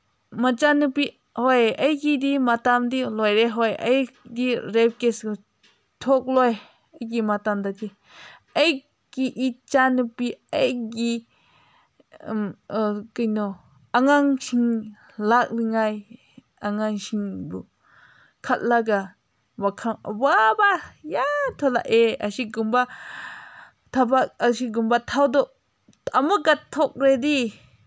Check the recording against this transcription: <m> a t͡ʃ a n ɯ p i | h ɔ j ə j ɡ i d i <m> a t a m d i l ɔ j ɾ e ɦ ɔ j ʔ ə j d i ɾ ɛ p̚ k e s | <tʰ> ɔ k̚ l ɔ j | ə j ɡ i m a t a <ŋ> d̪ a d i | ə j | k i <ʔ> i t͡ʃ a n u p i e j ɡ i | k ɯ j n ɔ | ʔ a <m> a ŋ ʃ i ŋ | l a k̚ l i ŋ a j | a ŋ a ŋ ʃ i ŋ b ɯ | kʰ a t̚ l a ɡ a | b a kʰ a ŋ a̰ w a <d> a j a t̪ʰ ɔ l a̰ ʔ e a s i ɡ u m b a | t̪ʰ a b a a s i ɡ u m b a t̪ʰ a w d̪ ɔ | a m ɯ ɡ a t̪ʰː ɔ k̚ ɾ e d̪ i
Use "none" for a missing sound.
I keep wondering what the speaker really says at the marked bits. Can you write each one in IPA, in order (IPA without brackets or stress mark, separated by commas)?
m, m, tʰ, m, ʔ, ŋ, b